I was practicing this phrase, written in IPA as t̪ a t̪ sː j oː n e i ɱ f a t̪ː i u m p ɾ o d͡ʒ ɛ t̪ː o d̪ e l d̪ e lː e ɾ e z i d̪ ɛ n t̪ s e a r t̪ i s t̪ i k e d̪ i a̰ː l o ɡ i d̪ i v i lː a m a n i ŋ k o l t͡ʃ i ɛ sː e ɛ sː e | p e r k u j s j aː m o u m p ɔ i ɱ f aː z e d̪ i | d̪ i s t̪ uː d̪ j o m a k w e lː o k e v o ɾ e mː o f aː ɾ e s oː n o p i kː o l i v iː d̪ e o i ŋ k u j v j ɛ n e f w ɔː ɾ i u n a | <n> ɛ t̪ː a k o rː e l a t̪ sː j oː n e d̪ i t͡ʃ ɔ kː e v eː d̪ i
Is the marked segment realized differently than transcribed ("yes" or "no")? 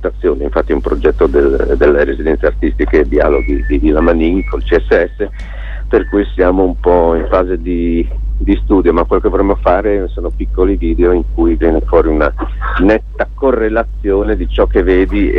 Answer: no